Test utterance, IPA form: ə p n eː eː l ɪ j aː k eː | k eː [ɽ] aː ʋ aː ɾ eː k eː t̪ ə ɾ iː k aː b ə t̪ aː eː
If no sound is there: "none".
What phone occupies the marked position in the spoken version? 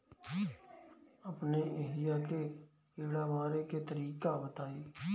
ɽ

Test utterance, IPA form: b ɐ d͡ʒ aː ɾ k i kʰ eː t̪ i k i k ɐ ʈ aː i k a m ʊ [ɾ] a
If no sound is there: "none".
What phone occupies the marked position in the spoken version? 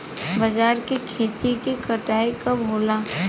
l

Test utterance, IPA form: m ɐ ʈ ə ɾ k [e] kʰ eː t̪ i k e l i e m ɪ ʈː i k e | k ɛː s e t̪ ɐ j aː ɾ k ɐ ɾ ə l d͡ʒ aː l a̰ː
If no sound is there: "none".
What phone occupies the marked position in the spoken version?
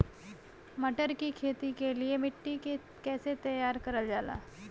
i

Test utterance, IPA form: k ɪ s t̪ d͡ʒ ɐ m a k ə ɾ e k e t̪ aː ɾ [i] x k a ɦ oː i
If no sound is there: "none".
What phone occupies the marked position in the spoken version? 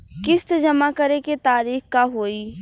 iː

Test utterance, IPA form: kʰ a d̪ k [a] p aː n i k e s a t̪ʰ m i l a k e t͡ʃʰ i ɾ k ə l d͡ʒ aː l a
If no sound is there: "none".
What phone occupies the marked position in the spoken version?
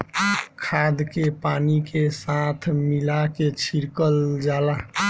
e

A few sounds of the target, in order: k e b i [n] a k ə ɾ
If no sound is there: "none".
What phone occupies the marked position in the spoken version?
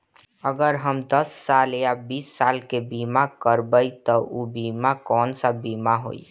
m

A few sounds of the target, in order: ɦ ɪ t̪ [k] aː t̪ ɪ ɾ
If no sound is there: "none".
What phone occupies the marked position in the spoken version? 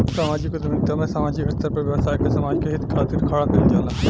kʰ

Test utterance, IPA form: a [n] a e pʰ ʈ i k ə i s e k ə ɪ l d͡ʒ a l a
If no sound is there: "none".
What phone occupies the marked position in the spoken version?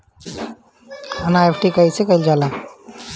n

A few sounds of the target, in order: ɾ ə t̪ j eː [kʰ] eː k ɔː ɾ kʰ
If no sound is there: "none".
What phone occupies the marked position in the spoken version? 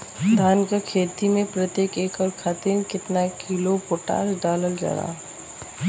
k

